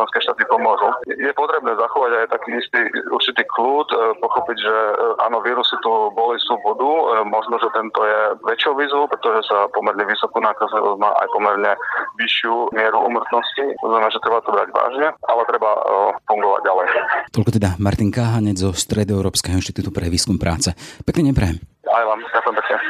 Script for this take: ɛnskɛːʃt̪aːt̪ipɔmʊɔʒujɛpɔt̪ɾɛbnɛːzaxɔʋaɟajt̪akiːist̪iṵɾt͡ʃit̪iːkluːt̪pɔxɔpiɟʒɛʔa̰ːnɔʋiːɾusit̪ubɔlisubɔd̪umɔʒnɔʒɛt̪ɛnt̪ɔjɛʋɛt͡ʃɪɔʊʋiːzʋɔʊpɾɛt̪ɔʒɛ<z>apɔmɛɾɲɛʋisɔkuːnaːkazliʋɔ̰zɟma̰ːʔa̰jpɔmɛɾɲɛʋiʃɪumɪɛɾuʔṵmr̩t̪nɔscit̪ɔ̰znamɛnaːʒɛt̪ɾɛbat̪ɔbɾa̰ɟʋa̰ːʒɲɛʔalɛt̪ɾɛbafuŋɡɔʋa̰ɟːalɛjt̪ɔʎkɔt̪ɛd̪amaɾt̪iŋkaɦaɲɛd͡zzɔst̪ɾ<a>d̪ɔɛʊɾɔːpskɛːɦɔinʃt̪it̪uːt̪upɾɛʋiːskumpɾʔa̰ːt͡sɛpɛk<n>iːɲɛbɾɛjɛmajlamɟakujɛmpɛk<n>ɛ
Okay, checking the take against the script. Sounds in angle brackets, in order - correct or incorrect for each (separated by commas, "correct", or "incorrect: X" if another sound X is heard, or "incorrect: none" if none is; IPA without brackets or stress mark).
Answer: incorrect: s, incorrect: ɛ, correct, incorrect: ɲ